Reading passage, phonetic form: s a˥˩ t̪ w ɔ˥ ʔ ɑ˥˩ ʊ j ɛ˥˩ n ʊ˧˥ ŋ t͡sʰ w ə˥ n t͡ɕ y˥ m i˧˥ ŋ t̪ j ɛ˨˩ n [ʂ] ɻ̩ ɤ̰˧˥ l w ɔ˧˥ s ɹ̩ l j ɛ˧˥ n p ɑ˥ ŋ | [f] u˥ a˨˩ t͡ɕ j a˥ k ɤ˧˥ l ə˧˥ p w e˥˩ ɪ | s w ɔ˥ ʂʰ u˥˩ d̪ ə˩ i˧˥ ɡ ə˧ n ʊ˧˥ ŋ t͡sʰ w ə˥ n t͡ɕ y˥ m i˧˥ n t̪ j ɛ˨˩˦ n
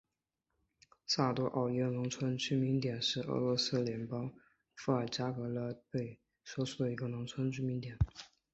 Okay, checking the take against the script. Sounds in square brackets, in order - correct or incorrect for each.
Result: correct, correct

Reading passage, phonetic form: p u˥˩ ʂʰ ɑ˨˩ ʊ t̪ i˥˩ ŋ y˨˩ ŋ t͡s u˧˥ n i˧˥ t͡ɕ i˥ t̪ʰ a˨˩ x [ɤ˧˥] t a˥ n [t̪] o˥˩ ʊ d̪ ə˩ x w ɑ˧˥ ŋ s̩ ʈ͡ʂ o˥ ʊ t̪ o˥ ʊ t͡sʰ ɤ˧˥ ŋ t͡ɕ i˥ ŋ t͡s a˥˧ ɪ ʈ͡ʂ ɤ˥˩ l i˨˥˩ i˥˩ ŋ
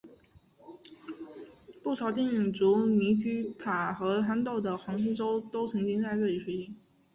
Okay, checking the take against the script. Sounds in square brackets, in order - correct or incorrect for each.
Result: correct, correct

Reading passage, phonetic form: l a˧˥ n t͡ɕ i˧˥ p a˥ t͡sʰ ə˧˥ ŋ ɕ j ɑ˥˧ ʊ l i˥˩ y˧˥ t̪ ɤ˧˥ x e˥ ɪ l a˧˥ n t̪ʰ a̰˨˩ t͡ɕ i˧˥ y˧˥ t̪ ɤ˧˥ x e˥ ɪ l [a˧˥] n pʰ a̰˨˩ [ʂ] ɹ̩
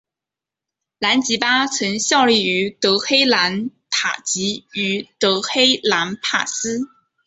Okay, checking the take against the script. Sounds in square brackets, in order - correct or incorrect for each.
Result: correct, incorrect

